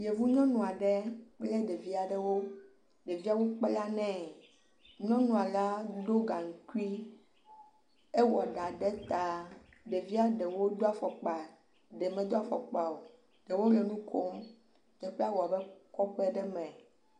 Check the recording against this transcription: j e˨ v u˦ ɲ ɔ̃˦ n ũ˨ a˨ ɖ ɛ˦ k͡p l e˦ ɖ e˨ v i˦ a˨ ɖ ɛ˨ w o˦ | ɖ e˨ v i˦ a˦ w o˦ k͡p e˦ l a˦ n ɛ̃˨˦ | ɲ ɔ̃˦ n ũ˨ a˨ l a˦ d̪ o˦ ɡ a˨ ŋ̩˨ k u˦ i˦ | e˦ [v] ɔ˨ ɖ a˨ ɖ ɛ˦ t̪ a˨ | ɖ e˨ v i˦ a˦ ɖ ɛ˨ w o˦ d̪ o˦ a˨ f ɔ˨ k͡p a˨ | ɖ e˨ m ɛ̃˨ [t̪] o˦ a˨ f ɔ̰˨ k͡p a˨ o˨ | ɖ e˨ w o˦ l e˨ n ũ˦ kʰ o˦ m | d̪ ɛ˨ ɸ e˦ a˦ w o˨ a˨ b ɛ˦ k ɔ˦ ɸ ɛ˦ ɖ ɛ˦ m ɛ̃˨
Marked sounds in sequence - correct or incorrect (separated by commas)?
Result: incorrect, incorrect